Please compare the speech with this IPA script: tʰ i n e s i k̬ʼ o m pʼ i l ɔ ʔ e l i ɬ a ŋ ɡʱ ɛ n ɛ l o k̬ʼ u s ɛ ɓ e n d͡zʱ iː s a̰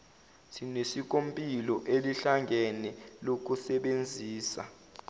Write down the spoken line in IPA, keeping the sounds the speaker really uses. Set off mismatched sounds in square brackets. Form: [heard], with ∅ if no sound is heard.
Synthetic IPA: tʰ i n e s i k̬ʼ o m pʼ i l ɔ ʔ e l i ɬ a ŋ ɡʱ ɛ n ɛ l o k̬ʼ u s ɛ ɓ e n d͡zʱ iː s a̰